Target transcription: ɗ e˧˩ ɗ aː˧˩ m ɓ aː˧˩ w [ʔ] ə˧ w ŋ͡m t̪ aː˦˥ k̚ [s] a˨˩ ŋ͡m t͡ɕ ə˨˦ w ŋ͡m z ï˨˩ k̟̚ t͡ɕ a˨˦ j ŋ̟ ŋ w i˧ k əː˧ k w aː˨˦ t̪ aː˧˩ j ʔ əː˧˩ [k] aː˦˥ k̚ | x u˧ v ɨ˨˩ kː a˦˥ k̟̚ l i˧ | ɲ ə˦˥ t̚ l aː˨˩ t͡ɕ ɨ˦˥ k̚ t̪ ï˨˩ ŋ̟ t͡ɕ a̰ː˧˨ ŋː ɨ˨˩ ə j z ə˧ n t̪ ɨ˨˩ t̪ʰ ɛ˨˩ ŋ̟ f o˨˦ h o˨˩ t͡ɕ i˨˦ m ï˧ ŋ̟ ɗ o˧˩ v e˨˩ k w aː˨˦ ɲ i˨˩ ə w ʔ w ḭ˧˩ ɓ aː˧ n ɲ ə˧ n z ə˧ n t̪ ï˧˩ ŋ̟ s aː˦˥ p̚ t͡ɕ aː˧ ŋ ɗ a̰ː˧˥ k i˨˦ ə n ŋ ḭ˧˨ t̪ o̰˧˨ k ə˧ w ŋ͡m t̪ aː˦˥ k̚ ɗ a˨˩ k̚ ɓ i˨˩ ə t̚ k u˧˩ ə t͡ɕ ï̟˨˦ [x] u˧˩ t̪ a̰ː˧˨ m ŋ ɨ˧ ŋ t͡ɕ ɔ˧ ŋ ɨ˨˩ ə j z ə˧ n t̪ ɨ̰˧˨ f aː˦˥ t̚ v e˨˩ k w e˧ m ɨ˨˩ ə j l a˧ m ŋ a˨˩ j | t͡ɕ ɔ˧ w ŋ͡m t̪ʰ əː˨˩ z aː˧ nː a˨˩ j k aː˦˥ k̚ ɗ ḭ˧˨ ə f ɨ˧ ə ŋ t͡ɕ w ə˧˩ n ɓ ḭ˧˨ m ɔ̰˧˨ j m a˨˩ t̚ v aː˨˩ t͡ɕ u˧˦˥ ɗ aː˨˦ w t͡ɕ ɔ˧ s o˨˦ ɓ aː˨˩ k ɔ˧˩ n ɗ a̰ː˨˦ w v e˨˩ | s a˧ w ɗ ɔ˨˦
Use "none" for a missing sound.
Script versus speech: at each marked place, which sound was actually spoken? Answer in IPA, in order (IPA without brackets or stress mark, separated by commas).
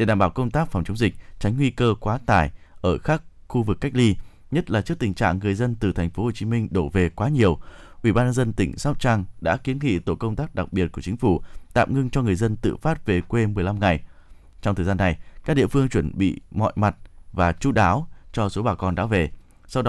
k, f, x, f